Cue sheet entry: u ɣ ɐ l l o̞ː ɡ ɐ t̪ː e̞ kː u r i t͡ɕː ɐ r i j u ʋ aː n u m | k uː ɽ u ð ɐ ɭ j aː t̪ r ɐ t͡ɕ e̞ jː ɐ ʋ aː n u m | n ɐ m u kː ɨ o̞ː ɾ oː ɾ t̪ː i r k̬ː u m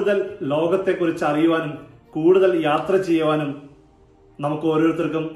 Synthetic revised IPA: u ð ɐ l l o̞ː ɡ ɐ t̪ː e̞ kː u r i t͡ɕː ɐ r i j u ʋ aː n u m | k uː ɽ u ð ɐ l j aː t̪ r ɐ t͡ɕ e̞ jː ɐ ʋ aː n u m | n ɐ m u kː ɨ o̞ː ɾ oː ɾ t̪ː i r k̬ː u m